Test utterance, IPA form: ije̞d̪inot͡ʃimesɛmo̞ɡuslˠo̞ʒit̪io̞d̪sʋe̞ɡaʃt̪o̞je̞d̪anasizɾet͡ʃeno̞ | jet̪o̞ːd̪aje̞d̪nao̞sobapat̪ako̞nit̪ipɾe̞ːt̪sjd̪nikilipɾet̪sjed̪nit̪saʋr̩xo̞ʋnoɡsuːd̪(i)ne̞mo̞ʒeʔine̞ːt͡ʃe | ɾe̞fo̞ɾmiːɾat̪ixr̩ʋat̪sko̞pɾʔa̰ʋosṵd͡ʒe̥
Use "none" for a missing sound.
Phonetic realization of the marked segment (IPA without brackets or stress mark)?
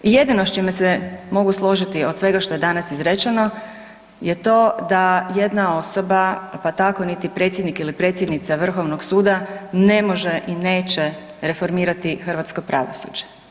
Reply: a